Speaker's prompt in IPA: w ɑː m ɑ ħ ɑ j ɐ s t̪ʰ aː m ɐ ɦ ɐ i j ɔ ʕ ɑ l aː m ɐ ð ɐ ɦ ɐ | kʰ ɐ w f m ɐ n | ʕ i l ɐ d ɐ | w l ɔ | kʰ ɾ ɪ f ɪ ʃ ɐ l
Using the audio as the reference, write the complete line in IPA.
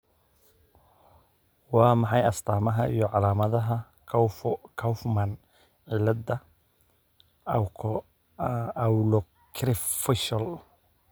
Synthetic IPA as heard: w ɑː m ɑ ħ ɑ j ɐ s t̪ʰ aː m ɐ ɦ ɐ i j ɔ ʕ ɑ l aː m ɐ ð ɐ ɦ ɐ | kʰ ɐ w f m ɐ n | ʕ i l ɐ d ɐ | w l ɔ | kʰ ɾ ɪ f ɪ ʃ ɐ l